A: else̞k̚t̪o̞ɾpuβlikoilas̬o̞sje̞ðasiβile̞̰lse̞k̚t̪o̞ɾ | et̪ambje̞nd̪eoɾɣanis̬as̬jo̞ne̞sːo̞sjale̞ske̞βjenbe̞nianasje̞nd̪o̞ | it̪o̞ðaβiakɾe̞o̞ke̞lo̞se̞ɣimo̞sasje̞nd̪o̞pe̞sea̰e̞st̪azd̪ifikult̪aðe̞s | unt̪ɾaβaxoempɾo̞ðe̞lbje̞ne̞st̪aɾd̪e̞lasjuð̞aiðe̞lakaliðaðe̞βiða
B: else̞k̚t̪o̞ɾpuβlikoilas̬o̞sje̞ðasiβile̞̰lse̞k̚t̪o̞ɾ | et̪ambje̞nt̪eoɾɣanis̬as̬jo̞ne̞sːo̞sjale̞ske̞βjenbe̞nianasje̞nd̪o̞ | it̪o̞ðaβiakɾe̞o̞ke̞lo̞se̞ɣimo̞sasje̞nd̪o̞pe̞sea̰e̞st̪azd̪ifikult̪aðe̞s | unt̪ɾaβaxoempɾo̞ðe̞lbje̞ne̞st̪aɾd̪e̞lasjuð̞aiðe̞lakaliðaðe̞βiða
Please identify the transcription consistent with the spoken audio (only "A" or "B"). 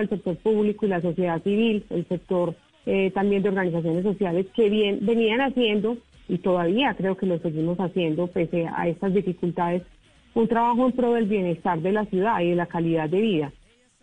A